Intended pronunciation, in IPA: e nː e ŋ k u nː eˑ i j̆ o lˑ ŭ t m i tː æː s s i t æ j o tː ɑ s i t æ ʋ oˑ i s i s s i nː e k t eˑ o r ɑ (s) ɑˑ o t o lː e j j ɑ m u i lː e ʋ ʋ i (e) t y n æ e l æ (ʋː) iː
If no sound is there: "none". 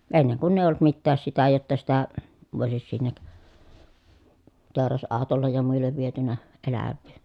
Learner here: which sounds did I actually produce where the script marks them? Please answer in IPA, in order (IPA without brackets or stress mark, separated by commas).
s, e, ʋː